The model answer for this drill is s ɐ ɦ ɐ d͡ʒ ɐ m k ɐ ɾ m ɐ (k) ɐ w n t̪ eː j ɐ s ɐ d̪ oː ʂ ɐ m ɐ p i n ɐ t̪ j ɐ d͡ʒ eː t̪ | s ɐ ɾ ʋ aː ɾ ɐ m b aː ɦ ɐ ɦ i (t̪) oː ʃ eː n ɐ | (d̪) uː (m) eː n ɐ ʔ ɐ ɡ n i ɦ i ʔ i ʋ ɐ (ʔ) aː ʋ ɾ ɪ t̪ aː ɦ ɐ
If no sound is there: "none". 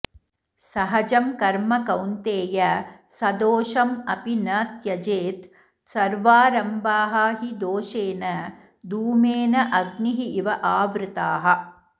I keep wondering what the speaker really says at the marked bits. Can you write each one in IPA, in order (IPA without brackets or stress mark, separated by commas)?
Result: k, d̪, d̪, m, ʔ